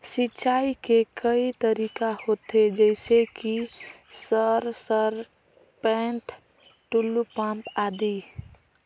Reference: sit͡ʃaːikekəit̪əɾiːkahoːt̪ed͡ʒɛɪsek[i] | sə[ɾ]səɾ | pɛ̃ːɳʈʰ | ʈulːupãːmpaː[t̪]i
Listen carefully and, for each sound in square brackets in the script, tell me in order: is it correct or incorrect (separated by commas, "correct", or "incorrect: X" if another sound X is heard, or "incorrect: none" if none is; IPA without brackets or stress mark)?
correct, correct, incorrect: d̪